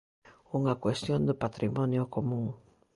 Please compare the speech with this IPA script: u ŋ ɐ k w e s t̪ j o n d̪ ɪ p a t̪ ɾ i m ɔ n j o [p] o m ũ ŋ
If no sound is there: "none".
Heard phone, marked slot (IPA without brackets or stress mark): k